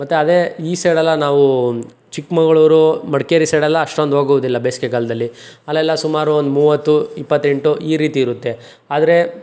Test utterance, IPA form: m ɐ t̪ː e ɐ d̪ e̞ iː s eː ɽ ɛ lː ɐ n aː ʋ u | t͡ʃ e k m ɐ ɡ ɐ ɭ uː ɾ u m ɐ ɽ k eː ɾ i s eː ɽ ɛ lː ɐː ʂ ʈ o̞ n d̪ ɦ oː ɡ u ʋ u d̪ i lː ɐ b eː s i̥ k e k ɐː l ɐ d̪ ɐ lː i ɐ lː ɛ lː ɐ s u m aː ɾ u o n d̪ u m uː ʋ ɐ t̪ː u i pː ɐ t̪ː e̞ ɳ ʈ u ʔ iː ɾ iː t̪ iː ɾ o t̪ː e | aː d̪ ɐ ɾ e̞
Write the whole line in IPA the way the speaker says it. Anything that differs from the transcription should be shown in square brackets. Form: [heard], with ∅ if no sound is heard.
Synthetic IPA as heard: m ɐ t̪ː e ɐ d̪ e̞ iː s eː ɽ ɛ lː ɐ n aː ʋ u | t͡ʃ [i] k m ɐ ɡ ɐ ɭ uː ɾ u m ɐ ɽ k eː ɾ i s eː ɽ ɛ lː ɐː ʂ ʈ o̞ n d̪ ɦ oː ɡ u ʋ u d̪ i lː ɐ b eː s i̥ k e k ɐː l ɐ d̪ ɐ lː i ɐ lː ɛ lː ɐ s u m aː ɾ u o n d̪ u m uː ʋ ɐ t̪ː u i pː ɐ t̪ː e̞ ɳ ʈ u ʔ iː ɾ iː t̪ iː ɾ [u] t̪ː e | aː d̪ ɐ ɾ e̞